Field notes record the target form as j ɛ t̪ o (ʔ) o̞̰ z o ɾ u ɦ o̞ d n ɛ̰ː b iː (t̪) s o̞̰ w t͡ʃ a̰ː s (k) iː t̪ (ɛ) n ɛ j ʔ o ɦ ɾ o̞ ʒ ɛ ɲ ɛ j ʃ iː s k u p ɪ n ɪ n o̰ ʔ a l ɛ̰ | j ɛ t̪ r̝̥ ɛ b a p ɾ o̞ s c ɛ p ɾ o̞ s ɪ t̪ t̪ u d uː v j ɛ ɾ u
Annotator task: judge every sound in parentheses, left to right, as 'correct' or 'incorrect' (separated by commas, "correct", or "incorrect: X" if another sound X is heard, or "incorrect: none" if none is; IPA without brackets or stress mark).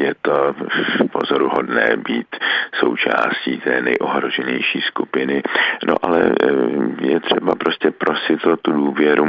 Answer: incorrect: p, correct, incorrect: c, incorrect: ɛː